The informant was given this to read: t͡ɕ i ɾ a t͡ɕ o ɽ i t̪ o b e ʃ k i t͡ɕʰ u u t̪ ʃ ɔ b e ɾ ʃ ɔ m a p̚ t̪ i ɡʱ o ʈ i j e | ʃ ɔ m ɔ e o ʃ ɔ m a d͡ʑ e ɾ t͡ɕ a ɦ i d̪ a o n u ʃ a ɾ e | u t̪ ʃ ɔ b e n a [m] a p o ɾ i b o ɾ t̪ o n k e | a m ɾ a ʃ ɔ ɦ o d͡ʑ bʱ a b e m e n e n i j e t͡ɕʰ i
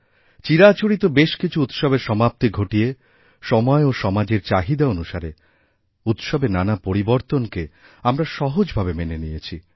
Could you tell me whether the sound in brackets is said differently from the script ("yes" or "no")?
yes